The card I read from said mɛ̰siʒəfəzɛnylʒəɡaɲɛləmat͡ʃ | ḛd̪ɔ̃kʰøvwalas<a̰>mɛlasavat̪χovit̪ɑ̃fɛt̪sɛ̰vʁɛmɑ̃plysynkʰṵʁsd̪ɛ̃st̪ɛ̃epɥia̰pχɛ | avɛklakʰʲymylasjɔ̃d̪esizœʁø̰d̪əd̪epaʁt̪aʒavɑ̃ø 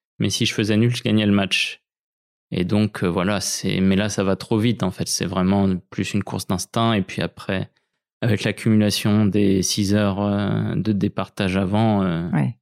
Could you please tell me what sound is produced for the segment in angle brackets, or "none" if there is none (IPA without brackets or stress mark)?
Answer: ɛ̰